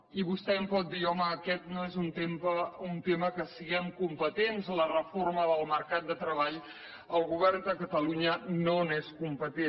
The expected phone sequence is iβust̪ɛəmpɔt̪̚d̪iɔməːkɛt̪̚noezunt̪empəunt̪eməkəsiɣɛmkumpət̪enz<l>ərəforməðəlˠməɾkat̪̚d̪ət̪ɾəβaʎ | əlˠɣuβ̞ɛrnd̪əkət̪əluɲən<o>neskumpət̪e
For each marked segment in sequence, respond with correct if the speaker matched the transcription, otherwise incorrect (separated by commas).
correct, correct